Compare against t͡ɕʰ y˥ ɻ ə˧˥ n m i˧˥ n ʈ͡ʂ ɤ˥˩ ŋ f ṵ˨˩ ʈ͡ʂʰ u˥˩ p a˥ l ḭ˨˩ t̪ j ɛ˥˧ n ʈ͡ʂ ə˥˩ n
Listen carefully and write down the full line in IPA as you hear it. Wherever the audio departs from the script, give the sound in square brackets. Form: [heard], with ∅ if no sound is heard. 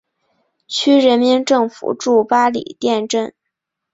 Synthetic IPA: t͡ɕʰ y˥ ɻ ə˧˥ n m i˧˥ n ʈ͡ʂ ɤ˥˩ ŋ f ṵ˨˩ [ʈ͡ʂ] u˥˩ p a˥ l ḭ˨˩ t̪ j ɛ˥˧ n ʈ͡ʂ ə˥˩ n